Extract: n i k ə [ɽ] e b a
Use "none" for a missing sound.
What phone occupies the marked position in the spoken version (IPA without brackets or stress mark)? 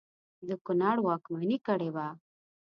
ɽ